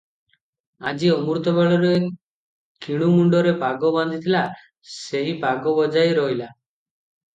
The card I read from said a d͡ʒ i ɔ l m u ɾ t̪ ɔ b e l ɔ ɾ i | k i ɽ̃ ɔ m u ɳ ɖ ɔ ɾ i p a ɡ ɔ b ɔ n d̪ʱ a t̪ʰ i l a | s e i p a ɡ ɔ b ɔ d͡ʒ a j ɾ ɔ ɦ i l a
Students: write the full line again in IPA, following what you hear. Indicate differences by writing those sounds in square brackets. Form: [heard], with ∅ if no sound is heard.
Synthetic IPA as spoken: a d͡ʒ i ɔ [∅] m u ɾ t̪ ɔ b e [ɭ] ɔ ɾ [e] | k i ɽ̃ [u] m u ɳ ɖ ɔ ɾ [e] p a ɡ ɔ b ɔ n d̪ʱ [i] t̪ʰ i l a | s e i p a ɡ ɔ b ɔ d͡ʒ a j ɾ ɔ ɦ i l a